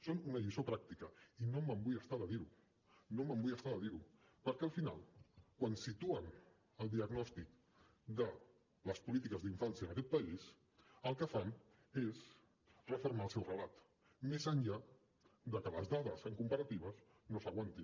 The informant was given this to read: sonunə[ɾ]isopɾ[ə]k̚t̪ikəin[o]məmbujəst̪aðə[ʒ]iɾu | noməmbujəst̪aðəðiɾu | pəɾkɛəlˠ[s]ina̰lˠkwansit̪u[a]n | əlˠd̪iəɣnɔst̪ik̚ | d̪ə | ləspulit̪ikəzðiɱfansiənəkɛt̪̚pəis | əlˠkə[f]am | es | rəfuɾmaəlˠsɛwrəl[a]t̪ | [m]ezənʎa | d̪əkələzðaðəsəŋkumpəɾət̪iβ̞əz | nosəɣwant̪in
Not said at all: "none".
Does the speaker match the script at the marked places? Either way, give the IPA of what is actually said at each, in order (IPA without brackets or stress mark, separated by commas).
ʎ, a, o, ð, f, ə, f, a, m